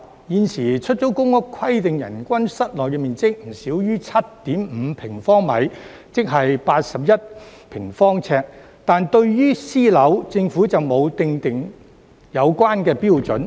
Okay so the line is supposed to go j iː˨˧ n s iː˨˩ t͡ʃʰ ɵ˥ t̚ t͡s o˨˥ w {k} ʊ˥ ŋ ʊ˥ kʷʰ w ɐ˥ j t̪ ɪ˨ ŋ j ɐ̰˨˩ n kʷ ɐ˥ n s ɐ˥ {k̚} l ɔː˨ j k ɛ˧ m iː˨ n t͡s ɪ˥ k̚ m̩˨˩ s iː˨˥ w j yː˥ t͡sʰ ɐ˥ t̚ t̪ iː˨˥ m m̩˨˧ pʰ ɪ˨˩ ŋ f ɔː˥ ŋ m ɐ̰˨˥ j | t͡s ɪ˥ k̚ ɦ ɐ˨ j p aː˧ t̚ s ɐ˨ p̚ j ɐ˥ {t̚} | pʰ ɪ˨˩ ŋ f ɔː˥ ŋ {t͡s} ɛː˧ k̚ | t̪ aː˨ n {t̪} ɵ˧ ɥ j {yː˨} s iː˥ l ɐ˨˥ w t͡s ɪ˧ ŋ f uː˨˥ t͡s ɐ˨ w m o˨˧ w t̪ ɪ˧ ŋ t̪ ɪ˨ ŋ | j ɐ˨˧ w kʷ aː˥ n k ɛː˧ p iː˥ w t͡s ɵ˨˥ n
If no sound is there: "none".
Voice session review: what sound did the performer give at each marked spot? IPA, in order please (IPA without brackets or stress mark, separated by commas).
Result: k, t̚, t̚, t͡sʰ, t̪, yː˥